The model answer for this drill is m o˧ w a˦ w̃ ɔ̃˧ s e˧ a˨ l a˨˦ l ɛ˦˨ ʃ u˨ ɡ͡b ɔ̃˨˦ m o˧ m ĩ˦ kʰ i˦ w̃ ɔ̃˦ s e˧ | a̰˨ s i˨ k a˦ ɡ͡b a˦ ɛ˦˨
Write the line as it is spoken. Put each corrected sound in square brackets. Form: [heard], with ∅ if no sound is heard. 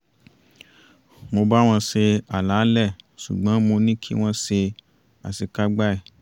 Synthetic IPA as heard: m o˧ [b] a˦ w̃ ɔ̃˧ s e˧ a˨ l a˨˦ l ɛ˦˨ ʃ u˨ ɡ͡b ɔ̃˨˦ m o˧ [n] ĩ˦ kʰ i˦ w̃ ɔ̃˦ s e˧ | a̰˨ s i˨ k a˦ ɡ͡b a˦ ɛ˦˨